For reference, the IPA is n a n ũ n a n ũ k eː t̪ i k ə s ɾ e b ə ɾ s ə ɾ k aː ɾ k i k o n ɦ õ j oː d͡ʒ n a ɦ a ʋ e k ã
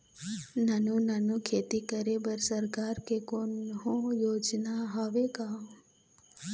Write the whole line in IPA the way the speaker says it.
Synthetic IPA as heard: n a n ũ n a n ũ kʰ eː t̪ i k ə ɾ e b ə ɾ s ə ɾ k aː ɾ k e k o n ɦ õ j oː d͡ʒ n a ɦ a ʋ e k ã